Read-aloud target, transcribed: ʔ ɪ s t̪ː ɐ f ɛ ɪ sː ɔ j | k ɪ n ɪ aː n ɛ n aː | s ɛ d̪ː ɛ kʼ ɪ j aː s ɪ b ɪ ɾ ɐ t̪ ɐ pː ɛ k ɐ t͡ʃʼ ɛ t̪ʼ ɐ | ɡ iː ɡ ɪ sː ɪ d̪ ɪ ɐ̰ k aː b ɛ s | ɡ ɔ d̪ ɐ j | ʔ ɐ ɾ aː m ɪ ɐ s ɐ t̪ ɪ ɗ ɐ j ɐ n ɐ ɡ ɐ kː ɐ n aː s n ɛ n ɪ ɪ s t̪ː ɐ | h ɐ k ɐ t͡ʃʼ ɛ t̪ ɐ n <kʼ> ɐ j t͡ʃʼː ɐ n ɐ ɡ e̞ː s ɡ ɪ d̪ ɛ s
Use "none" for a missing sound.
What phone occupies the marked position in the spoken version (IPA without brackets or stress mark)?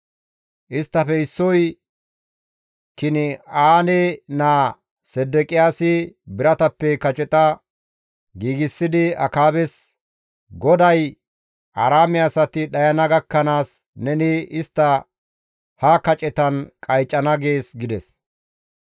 kʼ